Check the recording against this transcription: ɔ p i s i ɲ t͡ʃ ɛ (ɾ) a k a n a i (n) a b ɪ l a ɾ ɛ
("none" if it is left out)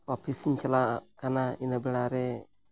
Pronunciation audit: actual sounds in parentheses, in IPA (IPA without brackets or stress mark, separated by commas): l, n